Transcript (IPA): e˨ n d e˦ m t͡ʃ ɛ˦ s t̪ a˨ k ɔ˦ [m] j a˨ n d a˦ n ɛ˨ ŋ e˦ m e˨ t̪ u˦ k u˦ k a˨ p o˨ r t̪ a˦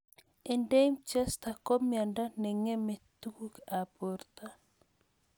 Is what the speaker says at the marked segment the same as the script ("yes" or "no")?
yes